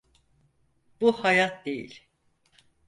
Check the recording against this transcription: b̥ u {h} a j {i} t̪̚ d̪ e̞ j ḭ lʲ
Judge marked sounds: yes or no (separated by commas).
yes, no